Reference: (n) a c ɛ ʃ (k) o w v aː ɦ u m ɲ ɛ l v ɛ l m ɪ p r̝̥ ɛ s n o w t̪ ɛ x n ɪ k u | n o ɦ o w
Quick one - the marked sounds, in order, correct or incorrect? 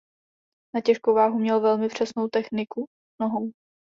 correct, correct

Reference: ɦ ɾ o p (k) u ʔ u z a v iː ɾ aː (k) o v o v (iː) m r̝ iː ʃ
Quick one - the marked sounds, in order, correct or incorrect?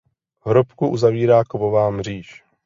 correct, correct, incorrect: aː

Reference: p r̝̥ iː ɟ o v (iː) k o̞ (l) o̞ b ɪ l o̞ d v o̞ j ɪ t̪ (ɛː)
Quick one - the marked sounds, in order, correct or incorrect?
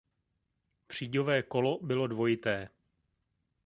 incorrect: ɛː, correct, correct

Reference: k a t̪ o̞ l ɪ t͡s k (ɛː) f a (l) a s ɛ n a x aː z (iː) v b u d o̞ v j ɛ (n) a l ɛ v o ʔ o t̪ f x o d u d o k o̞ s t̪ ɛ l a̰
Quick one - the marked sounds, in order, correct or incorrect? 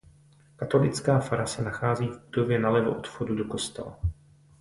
incorrect: aː, incorrect: ɾ, correct, correct

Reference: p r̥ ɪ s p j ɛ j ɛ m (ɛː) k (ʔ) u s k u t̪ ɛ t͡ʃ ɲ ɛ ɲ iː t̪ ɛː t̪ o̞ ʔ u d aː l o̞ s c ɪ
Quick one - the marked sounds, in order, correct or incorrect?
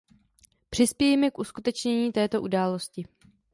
incorrect: ɛ, correct

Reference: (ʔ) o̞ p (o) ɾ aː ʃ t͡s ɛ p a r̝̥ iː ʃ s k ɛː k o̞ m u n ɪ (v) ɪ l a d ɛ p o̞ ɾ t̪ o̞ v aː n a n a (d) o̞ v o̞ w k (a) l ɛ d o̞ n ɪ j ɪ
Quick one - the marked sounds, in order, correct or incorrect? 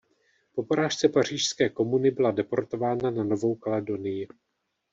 incorrect: p, correct, incorrect: b, incorrect: n, correct

